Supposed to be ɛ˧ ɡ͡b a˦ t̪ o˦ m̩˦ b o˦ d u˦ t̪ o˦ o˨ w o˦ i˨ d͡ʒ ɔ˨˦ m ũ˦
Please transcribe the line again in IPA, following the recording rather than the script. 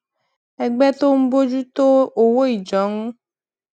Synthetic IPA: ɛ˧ ɡ͡b ɛ˦ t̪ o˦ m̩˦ b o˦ d͡ʒ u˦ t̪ o˦ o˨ w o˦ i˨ d͡ʒ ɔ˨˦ ŋ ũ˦